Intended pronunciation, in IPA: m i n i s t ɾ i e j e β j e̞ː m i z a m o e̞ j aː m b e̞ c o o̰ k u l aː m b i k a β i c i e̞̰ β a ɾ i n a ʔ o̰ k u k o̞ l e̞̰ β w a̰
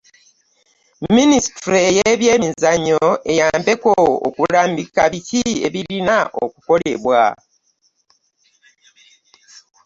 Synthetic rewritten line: m i n i s t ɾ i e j e β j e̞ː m i z a ɲ o e̞ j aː m b e̞ k o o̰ k u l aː m b i k a β i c i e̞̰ β i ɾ i n a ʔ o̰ k u k o̞ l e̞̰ β w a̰